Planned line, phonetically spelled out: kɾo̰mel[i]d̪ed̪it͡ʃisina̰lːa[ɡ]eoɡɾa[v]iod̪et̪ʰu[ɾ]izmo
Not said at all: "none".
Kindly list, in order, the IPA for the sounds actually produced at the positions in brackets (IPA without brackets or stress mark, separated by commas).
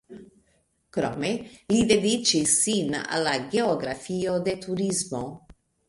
i, ɡ, f, ɾ